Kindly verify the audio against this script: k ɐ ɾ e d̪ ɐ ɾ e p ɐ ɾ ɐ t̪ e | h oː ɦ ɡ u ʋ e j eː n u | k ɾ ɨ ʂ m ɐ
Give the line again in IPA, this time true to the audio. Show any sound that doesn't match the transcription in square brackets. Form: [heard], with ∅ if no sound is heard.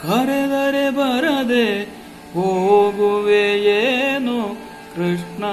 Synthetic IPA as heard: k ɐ ɾ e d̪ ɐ ɾ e [b] ɐ ɾ ɐ [d̪] e | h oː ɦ ɡ u ʋ e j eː n u | k ɾ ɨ ʂ [ɳ] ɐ